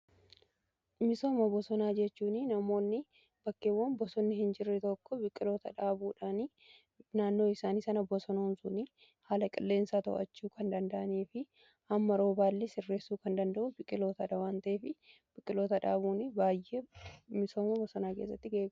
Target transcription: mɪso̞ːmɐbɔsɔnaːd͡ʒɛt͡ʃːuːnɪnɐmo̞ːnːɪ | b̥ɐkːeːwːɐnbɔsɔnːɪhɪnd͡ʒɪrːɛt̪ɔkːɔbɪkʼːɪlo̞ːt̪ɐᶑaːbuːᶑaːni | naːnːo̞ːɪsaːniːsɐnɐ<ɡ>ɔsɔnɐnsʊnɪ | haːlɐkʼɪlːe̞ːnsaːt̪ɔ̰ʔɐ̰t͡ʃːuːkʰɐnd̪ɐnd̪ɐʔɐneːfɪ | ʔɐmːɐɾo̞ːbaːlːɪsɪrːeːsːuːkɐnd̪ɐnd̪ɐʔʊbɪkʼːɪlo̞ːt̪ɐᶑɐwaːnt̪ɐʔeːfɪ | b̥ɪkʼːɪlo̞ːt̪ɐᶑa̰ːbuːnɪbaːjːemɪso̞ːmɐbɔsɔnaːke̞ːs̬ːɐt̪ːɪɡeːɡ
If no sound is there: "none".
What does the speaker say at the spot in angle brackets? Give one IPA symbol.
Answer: b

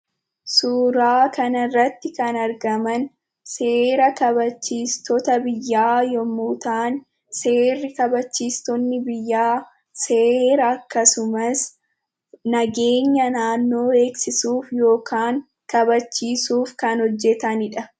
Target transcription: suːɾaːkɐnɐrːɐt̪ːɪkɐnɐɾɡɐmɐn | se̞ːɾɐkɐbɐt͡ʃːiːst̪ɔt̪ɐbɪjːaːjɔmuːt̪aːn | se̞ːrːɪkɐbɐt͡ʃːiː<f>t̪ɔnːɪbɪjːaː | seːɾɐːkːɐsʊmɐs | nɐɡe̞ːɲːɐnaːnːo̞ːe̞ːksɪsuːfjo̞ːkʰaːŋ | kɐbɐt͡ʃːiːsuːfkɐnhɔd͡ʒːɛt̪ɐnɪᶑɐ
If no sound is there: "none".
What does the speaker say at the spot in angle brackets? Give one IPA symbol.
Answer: s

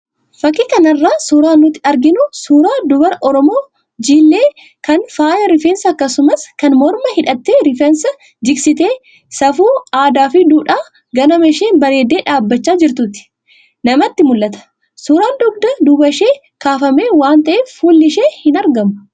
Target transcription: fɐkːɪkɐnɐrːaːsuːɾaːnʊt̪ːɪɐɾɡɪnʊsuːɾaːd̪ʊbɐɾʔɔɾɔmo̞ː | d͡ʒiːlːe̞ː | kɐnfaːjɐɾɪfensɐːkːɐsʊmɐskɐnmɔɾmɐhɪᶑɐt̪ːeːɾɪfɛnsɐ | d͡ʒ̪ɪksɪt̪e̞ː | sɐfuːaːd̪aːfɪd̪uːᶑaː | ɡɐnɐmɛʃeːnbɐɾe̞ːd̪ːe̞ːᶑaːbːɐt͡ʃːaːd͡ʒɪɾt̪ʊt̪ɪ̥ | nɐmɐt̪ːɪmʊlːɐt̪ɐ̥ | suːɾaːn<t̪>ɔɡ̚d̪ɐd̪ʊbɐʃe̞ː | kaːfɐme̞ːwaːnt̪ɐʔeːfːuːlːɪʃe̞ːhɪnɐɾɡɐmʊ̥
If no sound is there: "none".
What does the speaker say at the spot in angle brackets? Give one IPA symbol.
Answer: d̪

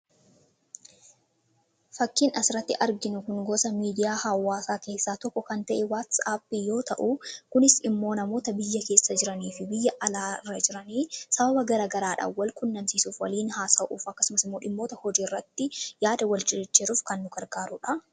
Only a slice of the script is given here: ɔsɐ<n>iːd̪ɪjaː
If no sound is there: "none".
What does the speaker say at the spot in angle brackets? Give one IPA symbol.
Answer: m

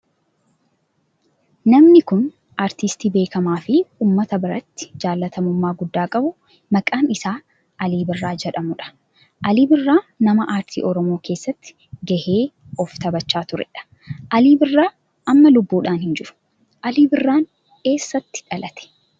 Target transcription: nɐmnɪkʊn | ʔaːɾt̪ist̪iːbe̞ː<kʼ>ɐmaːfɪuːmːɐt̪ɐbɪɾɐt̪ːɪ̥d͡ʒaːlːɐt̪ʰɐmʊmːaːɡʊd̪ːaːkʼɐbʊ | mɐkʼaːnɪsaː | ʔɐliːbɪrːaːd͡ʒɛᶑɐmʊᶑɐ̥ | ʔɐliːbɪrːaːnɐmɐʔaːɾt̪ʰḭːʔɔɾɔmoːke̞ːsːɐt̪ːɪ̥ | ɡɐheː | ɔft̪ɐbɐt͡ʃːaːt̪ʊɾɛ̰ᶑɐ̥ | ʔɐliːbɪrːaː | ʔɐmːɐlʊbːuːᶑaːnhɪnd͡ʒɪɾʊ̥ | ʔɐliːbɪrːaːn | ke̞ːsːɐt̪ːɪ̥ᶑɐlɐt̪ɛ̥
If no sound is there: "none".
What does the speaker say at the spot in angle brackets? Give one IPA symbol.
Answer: k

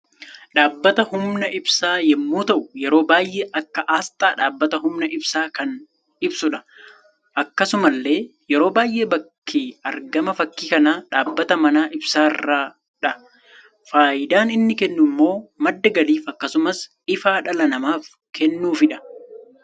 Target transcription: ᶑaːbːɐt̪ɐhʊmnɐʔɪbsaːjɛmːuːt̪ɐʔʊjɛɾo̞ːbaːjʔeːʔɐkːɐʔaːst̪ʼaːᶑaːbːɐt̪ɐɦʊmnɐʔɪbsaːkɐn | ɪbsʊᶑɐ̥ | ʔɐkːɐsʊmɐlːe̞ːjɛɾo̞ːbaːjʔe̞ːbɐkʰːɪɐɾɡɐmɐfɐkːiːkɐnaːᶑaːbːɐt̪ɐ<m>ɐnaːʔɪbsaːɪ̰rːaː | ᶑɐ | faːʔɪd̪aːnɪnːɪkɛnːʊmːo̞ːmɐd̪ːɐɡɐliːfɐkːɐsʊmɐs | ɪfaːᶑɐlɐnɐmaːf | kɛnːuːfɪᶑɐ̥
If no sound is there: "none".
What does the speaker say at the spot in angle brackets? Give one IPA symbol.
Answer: m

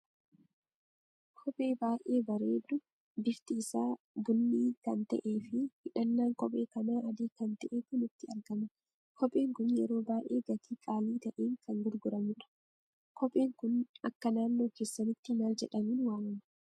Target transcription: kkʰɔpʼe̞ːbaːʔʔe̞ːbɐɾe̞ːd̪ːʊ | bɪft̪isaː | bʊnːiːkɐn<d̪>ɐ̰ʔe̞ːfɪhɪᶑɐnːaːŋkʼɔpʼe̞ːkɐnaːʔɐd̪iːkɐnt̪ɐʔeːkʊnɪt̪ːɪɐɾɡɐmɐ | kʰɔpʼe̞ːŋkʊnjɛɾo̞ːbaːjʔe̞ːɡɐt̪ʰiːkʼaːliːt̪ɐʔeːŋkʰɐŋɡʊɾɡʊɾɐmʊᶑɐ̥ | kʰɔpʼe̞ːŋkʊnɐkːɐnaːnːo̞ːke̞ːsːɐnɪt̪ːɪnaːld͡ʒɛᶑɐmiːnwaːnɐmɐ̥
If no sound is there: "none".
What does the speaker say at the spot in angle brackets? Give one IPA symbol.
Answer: t̪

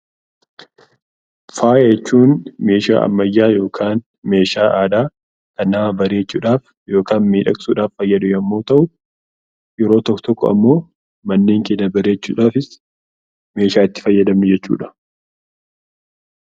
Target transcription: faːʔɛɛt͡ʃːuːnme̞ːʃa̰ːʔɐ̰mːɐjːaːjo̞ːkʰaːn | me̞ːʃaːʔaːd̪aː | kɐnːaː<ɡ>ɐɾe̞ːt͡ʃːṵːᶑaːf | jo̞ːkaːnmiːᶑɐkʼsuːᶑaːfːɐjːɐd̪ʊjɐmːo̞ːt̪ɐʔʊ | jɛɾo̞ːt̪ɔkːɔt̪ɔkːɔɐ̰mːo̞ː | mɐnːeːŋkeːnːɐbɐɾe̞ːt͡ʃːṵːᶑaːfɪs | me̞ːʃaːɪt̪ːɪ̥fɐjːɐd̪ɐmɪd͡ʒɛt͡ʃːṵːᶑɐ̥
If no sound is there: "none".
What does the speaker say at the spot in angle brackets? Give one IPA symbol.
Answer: b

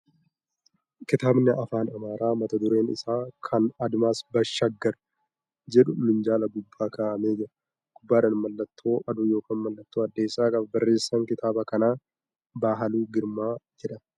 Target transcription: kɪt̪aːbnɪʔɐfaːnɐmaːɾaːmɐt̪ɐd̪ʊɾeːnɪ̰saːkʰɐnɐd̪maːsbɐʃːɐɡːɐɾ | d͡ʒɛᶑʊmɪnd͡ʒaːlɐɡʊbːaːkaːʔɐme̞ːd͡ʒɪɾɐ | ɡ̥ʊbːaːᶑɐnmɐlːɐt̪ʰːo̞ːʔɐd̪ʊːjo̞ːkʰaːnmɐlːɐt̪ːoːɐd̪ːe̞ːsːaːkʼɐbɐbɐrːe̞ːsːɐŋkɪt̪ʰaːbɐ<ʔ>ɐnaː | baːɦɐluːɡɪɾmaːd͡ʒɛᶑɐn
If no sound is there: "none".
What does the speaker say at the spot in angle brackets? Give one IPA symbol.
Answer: k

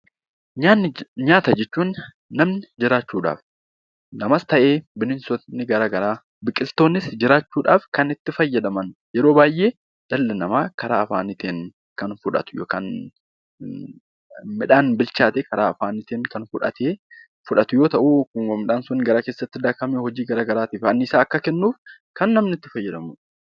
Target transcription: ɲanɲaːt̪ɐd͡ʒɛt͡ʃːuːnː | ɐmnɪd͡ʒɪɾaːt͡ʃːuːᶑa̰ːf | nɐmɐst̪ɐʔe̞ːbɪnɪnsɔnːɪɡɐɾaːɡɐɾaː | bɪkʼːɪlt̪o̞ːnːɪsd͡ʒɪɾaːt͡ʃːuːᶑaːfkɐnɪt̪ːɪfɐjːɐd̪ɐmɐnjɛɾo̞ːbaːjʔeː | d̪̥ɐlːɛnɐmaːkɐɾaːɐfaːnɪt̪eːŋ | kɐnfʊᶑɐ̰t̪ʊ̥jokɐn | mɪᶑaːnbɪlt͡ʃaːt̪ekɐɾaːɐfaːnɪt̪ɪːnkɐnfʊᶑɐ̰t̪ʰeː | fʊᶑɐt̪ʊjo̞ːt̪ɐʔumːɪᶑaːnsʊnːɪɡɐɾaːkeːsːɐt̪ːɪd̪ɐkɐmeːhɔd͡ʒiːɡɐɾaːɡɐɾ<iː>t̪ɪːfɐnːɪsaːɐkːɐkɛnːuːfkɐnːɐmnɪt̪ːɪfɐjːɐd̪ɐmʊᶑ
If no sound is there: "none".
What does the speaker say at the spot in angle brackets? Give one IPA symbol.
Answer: aː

